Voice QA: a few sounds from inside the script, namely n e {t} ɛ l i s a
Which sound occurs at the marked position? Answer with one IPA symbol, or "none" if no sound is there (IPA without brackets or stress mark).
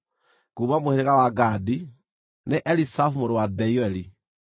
ʔ